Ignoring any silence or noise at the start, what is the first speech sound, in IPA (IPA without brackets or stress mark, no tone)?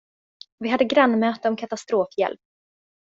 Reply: v